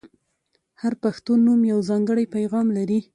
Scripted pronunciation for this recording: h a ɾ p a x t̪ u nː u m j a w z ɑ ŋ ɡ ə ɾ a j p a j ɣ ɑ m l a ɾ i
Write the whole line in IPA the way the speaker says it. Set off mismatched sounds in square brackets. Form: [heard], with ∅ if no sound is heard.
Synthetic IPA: h a ɾ p a x t̪ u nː u m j a w z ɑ ŋ ɡ ə [ɽ] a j p a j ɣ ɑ m l a ɾ i